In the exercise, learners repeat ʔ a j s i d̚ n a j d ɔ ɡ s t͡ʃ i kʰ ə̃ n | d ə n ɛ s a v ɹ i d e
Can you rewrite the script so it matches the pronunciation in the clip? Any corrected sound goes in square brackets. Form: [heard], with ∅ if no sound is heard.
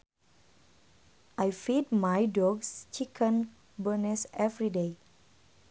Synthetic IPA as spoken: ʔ a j [f] i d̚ [m] a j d ɔ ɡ s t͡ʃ i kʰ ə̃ n | [b] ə n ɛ s [ɛ] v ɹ i d e